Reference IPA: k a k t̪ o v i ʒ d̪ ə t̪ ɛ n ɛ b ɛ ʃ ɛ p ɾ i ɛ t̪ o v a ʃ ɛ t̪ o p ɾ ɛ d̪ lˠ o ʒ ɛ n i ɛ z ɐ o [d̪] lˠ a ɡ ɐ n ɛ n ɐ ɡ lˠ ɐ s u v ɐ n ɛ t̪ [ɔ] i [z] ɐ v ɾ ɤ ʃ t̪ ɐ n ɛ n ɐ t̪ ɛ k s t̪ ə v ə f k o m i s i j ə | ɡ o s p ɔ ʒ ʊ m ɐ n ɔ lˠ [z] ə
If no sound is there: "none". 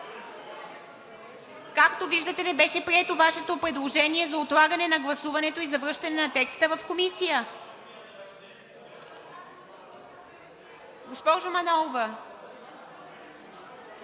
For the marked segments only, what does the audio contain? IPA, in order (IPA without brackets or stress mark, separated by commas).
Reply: t̪, o, z, v